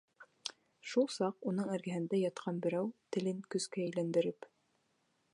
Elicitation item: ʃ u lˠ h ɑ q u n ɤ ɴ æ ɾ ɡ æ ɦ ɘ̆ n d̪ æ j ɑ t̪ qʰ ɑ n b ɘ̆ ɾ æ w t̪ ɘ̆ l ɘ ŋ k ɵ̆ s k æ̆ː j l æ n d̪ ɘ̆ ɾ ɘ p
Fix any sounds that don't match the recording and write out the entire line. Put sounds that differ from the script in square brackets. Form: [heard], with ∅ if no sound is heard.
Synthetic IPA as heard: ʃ u lˠ [s] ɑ q u n ɤ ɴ æ ɾ ɡ æ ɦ ɘ̆ n d̪ æ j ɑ t̪ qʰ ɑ n b ɘ̆ ɾ æ w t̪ ɘ̆ l ɘ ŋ k ɵ̆ s k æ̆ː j l æ n d̪ ɘ̆ ɾ ɘ p